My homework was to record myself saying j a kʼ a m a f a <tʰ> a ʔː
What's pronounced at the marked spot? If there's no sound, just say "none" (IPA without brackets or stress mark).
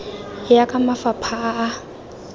pʰ